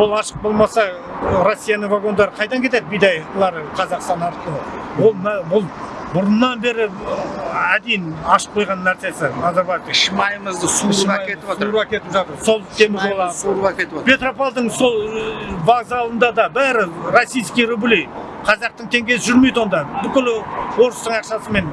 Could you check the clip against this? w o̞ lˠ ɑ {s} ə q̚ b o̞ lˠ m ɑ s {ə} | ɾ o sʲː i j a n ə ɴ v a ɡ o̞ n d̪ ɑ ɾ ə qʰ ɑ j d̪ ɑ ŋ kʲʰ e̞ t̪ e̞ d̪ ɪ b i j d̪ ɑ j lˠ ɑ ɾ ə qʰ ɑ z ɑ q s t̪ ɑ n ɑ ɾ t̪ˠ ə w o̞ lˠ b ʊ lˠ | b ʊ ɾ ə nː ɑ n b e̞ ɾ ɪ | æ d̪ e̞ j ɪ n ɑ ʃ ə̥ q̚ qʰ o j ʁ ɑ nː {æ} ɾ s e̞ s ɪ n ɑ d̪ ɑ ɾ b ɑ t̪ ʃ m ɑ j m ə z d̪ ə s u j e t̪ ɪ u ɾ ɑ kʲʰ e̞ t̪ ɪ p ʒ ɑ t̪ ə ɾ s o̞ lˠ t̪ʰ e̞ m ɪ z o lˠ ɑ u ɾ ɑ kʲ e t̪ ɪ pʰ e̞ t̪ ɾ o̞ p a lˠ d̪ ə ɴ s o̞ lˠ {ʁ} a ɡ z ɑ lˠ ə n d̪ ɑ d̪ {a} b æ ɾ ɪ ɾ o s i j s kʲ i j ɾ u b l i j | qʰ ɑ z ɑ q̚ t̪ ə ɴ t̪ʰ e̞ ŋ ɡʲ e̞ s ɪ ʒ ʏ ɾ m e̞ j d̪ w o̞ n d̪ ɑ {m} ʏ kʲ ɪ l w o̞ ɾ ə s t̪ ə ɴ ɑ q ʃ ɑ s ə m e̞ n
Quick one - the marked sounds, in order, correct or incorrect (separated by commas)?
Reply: incorrect, incorrect, correct, incorrect, incorrect, incorrect